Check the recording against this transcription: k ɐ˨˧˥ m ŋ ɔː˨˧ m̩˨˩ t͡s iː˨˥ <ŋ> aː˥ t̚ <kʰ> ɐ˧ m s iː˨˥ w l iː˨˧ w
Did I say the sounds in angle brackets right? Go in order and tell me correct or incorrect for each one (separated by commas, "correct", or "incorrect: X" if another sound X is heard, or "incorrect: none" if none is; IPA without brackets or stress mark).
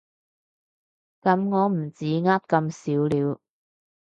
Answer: correct, incorrect: k